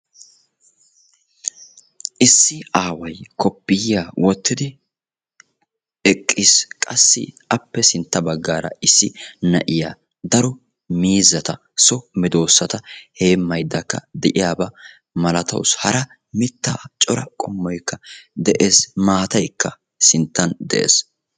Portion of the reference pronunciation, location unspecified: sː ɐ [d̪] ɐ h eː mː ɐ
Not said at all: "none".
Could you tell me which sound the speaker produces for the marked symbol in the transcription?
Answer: t̪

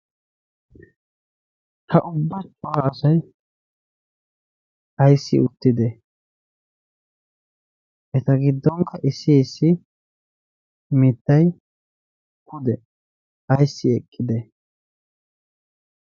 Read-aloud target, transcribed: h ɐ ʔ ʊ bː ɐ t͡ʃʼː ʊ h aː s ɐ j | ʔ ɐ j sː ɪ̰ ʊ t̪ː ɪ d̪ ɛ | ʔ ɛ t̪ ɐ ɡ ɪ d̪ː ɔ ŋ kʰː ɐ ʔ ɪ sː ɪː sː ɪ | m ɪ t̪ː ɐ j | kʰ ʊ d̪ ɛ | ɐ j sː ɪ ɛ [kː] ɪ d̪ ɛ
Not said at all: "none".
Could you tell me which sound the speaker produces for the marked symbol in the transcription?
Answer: kʼː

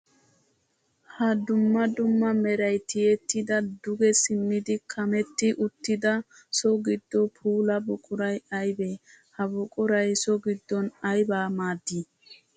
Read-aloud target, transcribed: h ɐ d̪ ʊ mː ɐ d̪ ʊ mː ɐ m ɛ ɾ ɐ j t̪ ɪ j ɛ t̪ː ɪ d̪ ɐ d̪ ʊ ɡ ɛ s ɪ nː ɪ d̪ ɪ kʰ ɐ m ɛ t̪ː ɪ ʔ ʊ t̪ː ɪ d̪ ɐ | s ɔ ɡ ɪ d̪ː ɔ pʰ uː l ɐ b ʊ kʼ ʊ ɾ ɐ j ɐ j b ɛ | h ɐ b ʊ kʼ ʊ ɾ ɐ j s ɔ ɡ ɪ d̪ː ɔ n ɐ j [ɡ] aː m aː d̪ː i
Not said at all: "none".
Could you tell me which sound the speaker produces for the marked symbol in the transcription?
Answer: b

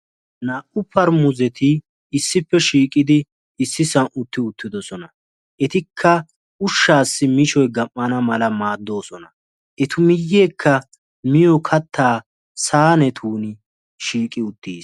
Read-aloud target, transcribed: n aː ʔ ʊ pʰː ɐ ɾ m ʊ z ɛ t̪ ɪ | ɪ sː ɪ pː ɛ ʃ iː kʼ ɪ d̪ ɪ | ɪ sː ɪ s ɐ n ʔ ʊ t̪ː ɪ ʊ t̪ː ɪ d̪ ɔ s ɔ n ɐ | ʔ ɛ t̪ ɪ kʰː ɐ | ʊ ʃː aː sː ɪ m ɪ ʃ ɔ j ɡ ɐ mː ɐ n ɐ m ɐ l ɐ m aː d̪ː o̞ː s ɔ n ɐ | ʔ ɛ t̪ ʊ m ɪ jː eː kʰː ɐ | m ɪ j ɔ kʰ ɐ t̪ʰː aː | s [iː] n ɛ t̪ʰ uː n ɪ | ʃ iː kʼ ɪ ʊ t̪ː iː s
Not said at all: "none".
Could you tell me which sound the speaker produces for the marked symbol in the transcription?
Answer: aː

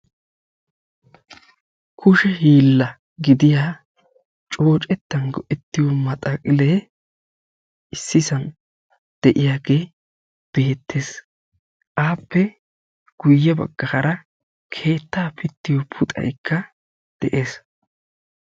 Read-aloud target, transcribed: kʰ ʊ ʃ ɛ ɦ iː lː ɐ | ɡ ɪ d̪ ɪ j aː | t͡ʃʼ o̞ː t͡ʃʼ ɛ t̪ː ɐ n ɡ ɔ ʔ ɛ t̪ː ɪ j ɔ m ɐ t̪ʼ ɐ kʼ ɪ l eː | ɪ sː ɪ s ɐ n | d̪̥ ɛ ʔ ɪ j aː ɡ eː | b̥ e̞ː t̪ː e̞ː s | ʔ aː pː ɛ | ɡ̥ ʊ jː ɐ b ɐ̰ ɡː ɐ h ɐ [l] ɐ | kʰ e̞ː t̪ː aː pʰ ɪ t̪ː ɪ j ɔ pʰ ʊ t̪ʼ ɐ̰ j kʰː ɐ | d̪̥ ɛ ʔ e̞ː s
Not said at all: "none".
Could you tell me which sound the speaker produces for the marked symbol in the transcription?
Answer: ɾ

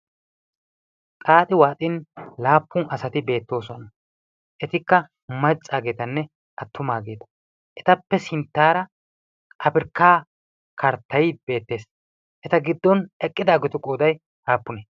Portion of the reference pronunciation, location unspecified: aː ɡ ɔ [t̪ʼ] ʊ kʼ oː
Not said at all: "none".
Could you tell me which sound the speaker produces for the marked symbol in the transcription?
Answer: t̪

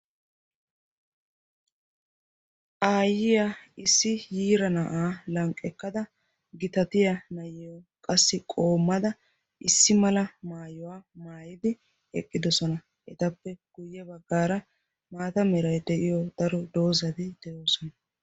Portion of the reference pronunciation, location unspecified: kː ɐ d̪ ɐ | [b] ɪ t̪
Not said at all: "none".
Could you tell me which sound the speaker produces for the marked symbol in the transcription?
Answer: ɡ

